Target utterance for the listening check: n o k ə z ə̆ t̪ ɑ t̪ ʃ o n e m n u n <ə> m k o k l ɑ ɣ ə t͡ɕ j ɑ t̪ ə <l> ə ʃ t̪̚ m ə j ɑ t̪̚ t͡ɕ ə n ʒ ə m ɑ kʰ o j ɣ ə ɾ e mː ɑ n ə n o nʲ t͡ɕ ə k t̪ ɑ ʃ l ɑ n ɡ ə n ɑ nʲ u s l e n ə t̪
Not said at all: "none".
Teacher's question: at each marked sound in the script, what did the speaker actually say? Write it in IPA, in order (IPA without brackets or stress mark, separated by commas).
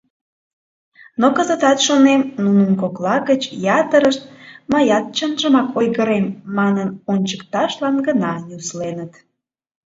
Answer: ə, ɾ